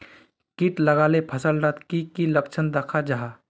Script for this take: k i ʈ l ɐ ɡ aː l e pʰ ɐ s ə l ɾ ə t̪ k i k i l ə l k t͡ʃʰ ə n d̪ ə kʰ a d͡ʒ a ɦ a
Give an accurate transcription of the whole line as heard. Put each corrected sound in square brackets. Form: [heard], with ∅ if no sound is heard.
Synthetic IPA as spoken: k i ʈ l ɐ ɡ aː l e pʰ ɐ s ə l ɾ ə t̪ k i k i l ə [∅] k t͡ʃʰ ə n d̪ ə kʰ a d͡ʒ a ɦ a